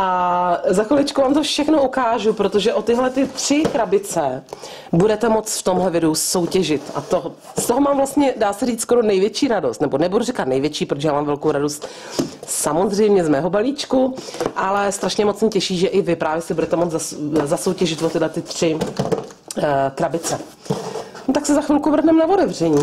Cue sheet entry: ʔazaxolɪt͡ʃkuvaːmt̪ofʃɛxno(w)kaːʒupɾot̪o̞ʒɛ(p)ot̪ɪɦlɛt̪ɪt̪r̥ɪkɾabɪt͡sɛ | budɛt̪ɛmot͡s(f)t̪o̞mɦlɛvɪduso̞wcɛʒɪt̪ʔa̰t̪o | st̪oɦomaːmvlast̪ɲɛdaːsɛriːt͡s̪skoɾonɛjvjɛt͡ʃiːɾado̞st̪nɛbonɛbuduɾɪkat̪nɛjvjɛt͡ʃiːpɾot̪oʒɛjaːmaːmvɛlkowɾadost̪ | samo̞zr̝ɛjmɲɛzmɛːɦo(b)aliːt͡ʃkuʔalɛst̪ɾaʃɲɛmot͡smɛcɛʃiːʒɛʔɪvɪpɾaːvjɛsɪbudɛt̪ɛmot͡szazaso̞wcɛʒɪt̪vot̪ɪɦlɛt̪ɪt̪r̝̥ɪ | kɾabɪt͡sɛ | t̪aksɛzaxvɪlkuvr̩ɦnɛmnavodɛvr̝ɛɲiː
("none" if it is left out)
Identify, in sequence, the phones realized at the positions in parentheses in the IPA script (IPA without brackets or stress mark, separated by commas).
u, ʔ, f, b